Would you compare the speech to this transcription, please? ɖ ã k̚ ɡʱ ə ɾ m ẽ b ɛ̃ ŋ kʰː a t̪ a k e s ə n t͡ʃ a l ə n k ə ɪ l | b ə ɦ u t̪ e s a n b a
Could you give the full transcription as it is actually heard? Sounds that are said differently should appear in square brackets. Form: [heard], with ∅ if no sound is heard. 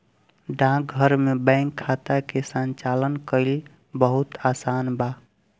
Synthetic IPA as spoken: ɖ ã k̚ ɡʱ ə ɾ m [e] b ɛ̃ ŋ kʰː a t̪ a k e s ə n t͡ʃ a l ə n k ə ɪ l | b ə ɦ u t̪ [a] s a n b a